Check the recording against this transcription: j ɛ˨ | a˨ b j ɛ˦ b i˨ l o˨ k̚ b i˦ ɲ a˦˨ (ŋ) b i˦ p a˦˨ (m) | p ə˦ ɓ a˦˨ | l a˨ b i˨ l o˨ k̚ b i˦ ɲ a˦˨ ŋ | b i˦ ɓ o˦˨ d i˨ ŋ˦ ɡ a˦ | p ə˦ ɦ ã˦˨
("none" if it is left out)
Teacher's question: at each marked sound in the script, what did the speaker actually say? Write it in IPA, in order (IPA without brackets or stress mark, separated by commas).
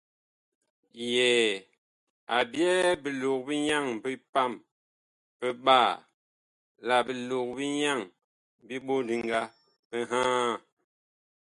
ŋ, m